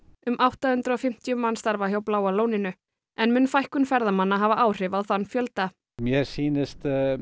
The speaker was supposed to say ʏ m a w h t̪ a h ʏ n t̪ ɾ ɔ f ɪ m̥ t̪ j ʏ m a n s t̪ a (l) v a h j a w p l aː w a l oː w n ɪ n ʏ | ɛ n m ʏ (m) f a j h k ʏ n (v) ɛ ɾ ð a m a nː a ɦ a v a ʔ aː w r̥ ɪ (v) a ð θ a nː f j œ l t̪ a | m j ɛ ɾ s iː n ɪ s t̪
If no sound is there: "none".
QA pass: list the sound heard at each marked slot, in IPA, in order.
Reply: ɾ, n, f, v

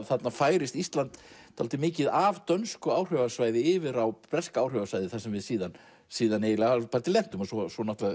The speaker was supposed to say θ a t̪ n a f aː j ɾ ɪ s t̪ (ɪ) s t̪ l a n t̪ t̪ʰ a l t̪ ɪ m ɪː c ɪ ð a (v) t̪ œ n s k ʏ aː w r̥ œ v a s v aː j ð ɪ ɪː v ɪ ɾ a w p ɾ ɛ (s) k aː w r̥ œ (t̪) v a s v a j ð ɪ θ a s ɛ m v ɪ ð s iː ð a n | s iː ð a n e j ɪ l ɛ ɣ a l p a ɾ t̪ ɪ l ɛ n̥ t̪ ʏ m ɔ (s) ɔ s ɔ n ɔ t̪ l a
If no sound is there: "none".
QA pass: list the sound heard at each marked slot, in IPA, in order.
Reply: i, v, s, none, s

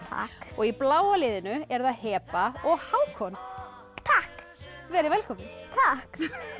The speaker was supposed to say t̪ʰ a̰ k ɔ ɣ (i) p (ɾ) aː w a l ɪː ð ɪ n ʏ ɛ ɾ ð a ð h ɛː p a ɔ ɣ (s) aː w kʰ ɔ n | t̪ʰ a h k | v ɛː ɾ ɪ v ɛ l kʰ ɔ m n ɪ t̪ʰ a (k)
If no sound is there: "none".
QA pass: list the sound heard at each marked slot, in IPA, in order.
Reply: i, l, h, k

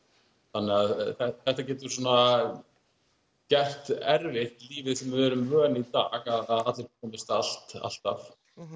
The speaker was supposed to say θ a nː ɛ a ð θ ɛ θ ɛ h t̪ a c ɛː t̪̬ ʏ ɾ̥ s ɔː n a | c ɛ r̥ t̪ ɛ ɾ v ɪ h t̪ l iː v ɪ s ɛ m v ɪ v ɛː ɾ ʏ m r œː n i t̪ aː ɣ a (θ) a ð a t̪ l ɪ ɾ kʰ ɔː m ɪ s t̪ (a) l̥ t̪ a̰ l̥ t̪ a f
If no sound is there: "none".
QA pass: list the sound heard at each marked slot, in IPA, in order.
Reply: ð, a

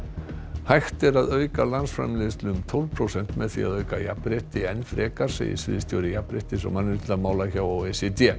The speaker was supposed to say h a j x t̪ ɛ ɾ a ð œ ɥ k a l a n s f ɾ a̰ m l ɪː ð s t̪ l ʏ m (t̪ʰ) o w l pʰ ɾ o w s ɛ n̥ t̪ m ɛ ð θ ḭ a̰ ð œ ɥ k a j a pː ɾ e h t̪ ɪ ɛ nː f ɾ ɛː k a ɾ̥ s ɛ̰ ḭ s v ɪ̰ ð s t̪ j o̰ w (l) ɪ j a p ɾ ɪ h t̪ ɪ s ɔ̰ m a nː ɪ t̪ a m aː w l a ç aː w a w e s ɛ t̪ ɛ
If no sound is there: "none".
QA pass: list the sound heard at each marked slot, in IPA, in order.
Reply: t̪ʰ, ɾ

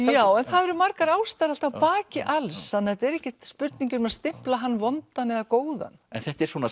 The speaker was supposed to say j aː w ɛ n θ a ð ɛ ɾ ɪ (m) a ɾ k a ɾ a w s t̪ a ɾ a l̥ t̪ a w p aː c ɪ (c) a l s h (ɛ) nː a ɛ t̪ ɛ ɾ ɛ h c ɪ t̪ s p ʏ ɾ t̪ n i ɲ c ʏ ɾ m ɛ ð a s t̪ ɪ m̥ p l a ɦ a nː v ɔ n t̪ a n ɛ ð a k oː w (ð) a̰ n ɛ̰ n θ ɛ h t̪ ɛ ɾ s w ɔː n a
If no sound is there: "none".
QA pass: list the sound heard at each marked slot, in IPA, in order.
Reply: m, ʔ, a, ð

